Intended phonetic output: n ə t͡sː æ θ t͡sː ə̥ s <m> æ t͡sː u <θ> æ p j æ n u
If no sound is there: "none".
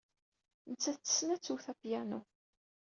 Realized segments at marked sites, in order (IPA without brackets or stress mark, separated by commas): n, θ